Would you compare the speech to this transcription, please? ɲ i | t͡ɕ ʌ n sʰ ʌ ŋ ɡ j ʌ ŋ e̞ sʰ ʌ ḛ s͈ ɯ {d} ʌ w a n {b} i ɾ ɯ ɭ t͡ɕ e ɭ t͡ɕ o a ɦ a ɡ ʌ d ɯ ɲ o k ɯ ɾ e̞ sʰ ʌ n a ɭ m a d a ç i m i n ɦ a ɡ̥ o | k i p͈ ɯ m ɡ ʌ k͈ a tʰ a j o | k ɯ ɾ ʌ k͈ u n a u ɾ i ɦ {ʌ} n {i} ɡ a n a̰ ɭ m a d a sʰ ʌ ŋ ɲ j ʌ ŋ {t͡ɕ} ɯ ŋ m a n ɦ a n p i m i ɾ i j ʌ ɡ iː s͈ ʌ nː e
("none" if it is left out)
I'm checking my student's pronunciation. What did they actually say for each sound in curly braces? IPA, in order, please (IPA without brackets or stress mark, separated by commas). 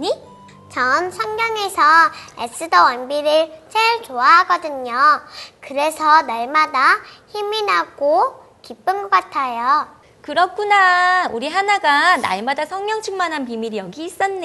d, b, a, a, t͡ɕʰ